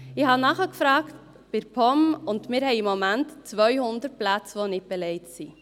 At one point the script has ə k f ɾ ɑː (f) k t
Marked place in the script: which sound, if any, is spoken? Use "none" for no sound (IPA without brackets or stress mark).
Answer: none